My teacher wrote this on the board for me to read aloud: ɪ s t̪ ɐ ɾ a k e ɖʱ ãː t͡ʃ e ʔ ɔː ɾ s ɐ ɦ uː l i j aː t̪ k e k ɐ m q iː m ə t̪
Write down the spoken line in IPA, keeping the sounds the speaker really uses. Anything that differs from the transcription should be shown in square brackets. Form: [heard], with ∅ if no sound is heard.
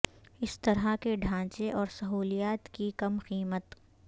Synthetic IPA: ɪ s t̪ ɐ ɾ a k e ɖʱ ãː t͡ʃ e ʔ ɔː ɾ s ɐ ɦ uː l i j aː t̪ k [i] k ɐ m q iː m ə t̪